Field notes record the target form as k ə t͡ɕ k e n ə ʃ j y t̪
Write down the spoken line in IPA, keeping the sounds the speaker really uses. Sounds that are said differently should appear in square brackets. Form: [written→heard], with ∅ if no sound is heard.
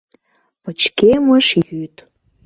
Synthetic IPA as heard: [k→p] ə t͡ɕ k e [n→m] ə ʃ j y t̪